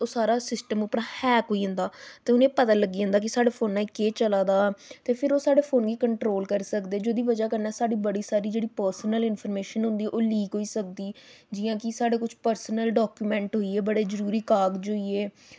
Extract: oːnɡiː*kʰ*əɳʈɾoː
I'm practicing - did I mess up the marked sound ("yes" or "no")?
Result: yes